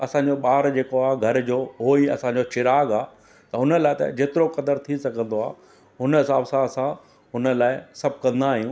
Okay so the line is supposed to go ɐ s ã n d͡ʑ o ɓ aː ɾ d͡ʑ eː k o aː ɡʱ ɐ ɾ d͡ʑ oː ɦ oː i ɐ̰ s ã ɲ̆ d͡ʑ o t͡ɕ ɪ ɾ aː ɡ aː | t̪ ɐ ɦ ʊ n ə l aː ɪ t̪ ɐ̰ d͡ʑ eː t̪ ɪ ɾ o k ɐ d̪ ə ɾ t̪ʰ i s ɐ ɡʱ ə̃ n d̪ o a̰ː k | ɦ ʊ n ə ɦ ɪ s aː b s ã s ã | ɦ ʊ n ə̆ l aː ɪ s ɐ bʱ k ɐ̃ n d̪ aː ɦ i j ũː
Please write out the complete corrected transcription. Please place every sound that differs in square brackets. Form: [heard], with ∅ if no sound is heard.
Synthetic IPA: ɐ s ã [ɲ] d͡ʑ o ɓ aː ɾ d͡ʑ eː k o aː ɡʱ ɐ ɾ d͡ʑ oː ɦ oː i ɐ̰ s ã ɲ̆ d͡ʑ o t͡ɕ ɪ ɾ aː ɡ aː | t̪ ɐ ɦ ʊ n ə l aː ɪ t̪ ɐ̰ d͡ʑ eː t̪ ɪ ɾ o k ɐ d̪ ə ɾ t̪ʰ i s ɐ ɡʱ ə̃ n d̪ o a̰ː [∅] | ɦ ʊ n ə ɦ ɪ s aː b s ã s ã | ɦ ʊ n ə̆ l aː ɪ s ɐ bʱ k ɐ̃ n d̪ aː ɦ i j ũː

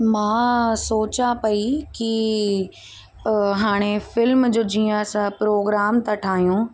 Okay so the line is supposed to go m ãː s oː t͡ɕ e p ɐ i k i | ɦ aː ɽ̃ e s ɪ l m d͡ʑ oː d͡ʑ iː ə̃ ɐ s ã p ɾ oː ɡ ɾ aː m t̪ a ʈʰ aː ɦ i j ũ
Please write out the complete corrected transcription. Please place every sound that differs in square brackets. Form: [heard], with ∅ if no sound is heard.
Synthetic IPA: m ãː s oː t͡ɕ [a] p ɐ i k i | ɦ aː ɽ̃ e [f] ɪ l m d͡ʑ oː d͡ʑ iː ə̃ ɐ s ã p ɾ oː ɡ ɾ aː m t̪ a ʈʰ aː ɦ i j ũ

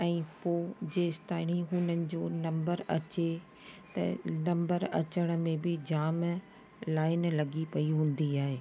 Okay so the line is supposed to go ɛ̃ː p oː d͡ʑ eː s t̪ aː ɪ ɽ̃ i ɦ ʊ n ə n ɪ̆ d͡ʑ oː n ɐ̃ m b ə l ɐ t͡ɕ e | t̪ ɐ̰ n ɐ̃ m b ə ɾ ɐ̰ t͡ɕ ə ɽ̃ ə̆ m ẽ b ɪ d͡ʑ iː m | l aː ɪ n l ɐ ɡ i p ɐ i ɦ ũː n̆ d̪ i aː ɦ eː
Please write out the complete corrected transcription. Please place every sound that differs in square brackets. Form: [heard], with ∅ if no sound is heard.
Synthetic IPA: ɛ̃ː p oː d͡ʑ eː s t̪ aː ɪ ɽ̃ i ɦ ʊ n ə n ɪ̆ d͡ʑ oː n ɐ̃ m b ə [ɾ] ɐ t͡ɕ e | t̪ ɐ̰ n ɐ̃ m b ə ɾ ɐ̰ t͡ɕ ə ɽ̃ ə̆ m ẽ b ɪ d͡ʑ [aː] m | l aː ɪ n l ɐ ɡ i p ɐ i ɦ ũː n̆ d̪ i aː ɦ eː

